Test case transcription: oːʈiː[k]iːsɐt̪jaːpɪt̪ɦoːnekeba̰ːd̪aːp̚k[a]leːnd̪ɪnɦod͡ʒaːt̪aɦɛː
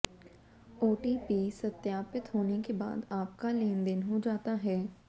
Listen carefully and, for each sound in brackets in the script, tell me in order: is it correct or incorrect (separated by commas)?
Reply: incorrect, correct